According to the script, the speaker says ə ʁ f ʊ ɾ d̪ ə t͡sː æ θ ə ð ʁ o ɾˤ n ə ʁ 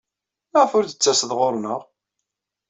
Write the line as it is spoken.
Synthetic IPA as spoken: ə ʁ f ʊ ɾ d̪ ə t͡sː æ s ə ð ʁ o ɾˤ n ə ʁ

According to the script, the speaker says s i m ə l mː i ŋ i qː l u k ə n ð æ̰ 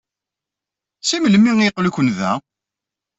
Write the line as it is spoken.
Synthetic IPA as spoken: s i m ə l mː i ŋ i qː l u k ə n ð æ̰

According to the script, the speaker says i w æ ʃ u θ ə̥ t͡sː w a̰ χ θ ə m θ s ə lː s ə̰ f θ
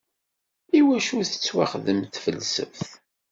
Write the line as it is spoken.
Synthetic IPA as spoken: i w æ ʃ u θ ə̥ t͡sː w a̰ χ ð ə m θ f ə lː s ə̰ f θ

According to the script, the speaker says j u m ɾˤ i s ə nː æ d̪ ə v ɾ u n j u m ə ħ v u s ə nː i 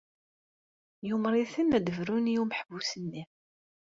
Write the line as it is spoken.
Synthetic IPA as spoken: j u m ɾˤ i θ ə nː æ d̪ ə v ɾ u n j u m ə ħ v u s ə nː i

